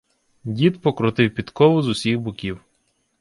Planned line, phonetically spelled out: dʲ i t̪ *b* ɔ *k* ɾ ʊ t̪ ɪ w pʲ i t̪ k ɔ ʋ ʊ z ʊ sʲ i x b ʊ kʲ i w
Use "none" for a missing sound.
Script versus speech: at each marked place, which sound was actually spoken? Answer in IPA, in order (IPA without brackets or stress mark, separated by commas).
p, k